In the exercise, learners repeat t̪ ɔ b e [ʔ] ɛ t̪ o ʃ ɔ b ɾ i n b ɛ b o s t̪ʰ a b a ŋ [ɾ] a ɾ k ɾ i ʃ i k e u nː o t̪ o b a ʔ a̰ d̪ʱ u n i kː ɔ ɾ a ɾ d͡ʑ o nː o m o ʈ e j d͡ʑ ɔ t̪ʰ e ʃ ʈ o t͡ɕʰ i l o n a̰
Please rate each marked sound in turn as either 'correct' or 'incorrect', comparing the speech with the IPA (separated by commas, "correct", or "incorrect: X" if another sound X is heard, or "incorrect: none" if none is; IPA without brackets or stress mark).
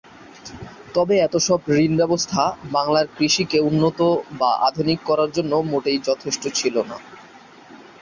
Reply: incorrect: none, incorrect: l